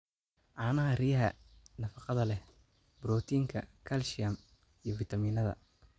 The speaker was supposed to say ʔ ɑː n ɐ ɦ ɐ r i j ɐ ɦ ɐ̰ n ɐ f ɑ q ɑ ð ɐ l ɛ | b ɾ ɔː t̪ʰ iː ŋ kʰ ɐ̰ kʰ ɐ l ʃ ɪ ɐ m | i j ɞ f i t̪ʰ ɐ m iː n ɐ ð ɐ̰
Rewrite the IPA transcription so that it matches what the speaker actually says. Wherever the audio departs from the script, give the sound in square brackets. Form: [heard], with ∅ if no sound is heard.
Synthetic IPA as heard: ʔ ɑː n ɐ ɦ ɐ r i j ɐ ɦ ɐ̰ n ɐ f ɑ q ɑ ð ɐ l ɛ | b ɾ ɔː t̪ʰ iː ŋ kʰ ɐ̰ kʰ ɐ l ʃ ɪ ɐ m | i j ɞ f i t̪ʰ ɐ m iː n ɐ ð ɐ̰